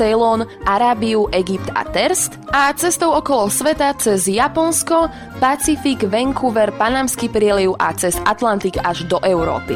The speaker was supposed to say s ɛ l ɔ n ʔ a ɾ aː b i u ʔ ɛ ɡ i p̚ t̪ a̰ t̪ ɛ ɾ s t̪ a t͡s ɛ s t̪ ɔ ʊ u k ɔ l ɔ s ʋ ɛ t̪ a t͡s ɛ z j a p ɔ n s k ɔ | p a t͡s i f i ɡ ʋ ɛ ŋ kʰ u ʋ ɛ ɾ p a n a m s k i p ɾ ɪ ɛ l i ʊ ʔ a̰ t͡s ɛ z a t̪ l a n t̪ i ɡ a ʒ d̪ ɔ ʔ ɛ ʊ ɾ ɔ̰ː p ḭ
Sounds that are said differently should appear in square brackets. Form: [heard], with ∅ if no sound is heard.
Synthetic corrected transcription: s ɛ l ɔ n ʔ a ɾ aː b i u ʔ ɛ ɡ i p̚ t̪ a̰ t̪ ɛ ɾ s t̪ a t͡s ɛ s t̪ ɔ ʊ [ɔ] k ɔ l ɔ s ʋ ɛ t̪ a t͡s ɛ z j a p ɔ n s k ɔ | p a t͡s i f i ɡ ʋ ɛ ŋ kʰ u ʋ ɛ ɾ p a n a m s k i p ɾ ɪ ɛ l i ʊ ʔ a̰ t͡s ɛ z a t̪ l a n t̪ i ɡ a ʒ d̪ ɔ ʔ ɛ ʊ ɾ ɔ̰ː p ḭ